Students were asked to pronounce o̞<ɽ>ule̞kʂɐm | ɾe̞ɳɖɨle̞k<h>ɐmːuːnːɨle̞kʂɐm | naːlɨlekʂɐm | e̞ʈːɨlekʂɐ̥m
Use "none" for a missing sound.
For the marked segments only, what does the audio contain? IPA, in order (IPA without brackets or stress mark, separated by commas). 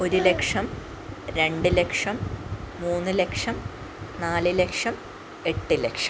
ɾ, ʂ